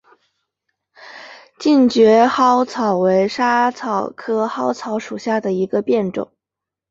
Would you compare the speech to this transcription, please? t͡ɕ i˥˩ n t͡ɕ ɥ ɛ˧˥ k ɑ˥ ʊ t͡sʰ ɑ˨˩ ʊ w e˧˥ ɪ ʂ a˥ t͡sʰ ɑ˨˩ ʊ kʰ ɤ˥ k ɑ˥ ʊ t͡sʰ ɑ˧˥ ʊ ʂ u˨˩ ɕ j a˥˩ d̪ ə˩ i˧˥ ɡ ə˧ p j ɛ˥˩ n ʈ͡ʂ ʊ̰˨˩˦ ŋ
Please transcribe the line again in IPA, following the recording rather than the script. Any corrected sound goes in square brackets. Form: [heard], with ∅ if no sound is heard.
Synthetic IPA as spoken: t͡ɕ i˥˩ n t͡ɕ ɥ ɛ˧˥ [x] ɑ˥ ʊ t͡sʰ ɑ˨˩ ʊ w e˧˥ ɪ ʂ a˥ t͡sʰ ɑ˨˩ ʊ kʰ ɤ˥ [x] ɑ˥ ʊ t͡sʰ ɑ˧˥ ʊ ʂ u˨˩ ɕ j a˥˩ d̪ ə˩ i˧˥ ɡ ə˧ p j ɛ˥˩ n ʈ͡ʂ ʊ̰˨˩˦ ŋ

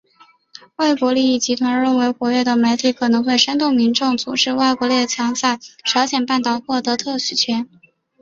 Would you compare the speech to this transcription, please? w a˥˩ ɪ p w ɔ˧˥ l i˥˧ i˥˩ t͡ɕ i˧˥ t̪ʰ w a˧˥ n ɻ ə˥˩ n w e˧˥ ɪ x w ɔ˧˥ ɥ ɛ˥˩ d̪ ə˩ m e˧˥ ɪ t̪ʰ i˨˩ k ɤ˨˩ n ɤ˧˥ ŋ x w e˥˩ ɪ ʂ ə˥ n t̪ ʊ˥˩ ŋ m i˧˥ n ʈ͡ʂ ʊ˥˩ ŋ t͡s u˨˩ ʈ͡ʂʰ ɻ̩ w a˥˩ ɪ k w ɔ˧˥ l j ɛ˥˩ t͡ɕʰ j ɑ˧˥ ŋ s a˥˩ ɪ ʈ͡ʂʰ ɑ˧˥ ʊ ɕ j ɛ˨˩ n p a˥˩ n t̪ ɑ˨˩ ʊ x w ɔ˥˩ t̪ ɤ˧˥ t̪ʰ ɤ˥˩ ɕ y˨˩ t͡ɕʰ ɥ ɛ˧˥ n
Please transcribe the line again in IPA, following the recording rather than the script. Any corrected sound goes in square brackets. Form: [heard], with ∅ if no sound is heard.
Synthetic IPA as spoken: w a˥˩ ɪ [k] w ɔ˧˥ l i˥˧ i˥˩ t͡ɕ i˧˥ t̪ʰ w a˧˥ n ɻ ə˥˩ n w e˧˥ ɪ x w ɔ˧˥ ɥ ɛ˥˩ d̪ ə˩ m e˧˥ ɪ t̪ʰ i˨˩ [kʰ] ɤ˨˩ n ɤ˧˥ ŋ x w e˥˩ ɪ ʂ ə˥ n t̪ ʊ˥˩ ŋ m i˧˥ n ʈ͡ʂ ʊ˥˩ ŋ t͡s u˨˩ [ʈ͡ʂ] ɻ̩ w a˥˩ ɪ k w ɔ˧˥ l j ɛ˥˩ t͡ɕʰ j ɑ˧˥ ŋ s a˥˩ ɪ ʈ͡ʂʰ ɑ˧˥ ʊ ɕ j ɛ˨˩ n p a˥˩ n t̪ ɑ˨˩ ʊ x w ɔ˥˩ t̪ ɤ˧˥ t̪ʰ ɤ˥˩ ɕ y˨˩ t͡ɕʰ ɥ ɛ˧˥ n

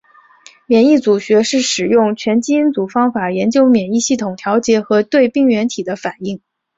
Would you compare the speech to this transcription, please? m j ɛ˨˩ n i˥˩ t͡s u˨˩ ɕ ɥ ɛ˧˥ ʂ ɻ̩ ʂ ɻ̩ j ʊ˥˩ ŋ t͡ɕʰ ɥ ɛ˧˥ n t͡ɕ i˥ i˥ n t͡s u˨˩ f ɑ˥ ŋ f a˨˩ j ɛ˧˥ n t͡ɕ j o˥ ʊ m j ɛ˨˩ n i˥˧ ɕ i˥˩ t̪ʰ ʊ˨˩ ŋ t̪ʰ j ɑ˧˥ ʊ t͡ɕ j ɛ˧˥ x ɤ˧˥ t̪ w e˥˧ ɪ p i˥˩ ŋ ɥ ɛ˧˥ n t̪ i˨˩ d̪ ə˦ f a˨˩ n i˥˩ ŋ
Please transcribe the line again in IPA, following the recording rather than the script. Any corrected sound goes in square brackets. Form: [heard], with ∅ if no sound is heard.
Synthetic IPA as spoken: m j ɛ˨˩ n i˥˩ t͡s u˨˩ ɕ ɥ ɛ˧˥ ʂ ɻ̩ ʂ ɻ̩ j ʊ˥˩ ŋ t͡ɕʰ ɥ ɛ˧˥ n t͡ɕ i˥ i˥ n t͡s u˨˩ f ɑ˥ ŋ f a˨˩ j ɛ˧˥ n t͡ɕ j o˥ ʊ m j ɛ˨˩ n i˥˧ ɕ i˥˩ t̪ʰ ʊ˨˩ ŋ t̪ʰ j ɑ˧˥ ʊ t͡ɕ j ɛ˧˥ x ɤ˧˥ t̪ w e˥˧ ɪ p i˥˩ ŋ ɥ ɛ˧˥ n [t̪ʰ] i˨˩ d̪ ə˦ f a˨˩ n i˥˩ ŋ

